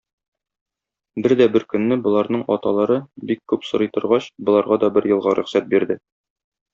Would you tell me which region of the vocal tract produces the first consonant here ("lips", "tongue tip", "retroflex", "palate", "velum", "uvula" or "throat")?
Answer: lips